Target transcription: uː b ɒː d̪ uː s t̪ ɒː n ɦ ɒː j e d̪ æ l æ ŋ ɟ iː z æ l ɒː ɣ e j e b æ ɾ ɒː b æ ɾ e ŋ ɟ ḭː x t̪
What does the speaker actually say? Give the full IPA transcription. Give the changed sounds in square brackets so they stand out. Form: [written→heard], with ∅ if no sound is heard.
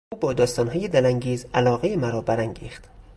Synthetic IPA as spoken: uː b ɒː d̪ [uː→ɒː] s t̪ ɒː n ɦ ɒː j e d̪ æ l æ ŋ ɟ iː z æ l ɒː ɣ e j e [b→m] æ ɾ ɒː b æ ɾ [e→æ] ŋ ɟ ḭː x t̪